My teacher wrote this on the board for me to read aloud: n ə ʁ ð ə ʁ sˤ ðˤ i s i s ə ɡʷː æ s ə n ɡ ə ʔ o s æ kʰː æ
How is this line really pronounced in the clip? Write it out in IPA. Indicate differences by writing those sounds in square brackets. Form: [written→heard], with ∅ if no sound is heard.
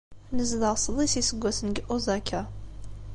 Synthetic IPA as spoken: n ə [ʁ→z] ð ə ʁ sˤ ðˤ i s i s ə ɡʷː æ s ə n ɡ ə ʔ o [s→z] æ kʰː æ